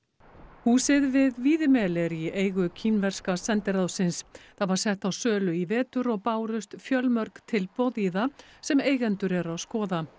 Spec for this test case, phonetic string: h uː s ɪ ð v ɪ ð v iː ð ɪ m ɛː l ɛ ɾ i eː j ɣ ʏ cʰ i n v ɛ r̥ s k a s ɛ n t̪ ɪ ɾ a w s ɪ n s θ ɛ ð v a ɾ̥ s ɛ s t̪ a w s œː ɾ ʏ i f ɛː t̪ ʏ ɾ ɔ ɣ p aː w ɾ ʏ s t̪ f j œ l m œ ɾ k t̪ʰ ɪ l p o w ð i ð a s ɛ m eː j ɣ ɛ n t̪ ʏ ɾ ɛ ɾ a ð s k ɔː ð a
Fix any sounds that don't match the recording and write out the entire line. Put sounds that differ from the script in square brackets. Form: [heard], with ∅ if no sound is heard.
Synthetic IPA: h uː s ɪ ð v ɪ ð v iː ð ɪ m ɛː l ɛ ɾ i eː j ɣ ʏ cʰ i n v ɛ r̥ s k a s ɛ n t̪ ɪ ɾ a w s ɪ n s θ [a] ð v a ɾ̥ s ɛ [h] t̪ a w s œː [l] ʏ i [v] ɛː t̪ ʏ ɾ ɔ ɣ p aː w ɾ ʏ s t̪ f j œ l m œ ɾ k t̪ʰ ɪ l p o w ð i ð a s ɛ m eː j ɣ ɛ n t̪ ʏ ɾ ɛ ɾ a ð s k ɔː ð a